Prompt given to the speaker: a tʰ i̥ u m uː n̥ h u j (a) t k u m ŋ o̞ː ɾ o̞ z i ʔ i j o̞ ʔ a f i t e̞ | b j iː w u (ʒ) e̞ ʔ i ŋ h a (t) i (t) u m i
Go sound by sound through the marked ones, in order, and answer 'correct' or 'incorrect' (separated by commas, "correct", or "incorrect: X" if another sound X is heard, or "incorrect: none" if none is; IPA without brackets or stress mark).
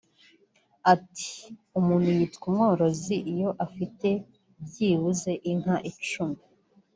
incorrect: i, incorrect: z, incorrect: ʔ, incorrect: t͡ʃ